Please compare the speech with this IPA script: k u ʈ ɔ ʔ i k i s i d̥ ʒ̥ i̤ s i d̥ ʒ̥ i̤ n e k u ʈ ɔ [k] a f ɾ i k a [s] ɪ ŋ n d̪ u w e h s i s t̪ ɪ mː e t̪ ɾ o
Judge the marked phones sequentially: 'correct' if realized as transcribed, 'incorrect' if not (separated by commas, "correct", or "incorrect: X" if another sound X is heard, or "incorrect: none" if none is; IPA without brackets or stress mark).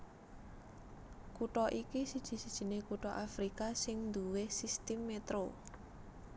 incorrect: ʔ, correct